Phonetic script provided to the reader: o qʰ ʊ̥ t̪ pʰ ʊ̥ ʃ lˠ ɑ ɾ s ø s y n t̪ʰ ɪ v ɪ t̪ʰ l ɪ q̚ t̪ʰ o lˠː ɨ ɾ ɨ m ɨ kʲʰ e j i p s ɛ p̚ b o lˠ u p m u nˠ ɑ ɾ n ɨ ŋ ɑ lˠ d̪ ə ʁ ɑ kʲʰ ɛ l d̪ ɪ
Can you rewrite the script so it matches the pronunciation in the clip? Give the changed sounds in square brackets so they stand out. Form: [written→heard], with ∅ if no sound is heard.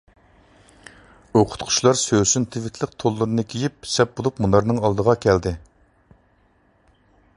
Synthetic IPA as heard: o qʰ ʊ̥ t̪ [pʰ→qʰ] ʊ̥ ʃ lˠ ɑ ɾ s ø s y n t̪ʰ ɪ v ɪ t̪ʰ l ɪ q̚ t̪ʰ o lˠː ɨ ɾ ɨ [m→n] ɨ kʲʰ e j i p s ɛ p̚ b o lˠ u p m u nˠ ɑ ɾ n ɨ ŋ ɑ lˠ d̪ ə ʁ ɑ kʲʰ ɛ l d̪ ɪ

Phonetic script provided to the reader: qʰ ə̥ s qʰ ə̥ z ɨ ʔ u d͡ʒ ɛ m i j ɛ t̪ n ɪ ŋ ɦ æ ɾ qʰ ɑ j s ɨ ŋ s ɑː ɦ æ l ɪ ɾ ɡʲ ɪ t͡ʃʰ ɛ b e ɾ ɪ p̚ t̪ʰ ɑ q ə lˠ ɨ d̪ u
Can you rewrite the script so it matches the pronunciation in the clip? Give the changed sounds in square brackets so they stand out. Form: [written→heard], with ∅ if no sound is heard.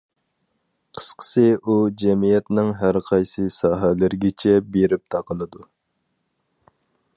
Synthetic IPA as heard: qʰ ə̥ s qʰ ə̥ [z→s] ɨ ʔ u d͡ʒ ɛ m i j ɛ t̪ n ɪ ŋ ɦ æ ɾ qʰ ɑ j s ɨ [ŋ→∅] s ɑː ɦ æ l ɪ ɾ ɡʲ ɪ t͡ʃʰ ɛ b e ɾ ɪ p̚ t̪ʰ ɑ q ə lˠ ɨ d̪ u

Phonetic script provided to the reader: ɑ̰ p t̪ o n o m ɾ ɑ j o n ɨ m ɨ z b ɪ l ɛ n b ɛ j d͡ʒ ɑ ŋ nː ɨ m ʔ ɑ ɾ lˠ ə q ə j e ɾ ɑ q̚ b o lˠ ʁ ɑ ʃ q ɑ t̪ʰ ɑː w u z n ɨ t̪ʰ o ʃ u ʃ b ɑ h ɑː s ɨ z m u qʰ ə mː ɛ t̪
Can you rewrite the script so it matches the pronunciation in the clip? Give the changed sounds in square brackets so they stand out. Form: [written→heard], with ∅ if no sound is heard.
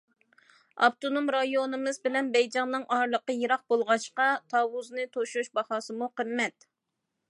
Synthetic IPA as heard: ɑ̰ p t̪ o n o m ɾ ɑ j o n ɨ m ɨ z b ɪ l ɛ n b ɛ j d͡ʒ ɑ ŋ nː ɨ [m→ŋ] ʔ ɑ ɾ lˠ ə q ə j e ɾ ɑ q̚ b o lˠ ʁ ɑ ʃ q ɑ t̪ʰ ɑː w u z n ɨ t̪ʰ o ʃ u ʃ b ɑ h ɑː s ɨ [z→∅] m u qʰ ə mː ɛ t̪

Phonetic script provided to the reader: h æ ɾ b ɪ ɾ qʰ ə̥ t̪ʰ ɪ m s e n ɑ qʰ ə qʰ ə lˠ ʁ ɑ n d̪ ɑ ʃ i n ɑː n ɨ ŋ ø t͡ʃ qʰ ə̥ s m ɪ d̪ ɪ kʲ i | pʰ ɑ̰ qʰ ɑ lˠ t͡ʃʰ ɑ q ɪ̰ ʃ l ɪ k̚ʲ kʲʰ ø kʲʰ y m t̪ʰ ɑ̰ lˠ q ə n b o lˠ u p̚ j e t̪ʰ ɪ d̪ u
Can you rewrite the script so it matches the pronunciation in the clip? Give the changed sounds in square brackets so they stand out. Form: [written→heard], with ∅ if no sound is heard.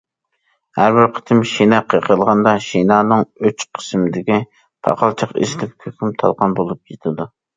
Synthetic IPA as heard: h æ ɾ b ɪ ɾ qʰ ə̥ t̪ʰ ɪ m [s→ʃ] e n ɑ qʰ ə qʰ ə lˠ ʁ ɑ n d̪ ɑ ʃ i n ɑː n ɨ ŋ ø t͡ʃ qʰ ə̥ s m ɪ d̪ ɪ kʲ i | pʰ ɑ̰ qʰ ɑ lˠ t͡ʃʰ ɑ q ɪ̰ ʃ l ɪ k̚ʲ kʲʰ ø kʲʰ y m t̪ʰ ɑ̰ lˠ q [ə→ɑ] n b o lˠ u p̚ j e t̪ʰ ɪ d̪ u

